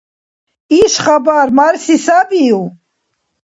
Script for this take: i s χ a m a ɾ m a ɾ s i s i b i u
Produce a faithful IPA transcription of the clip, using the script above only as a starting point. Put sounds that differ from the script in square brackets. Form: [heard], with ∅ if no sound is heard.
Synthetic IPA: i [ʃ] χ a [b] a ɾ m a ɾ s i s [a] b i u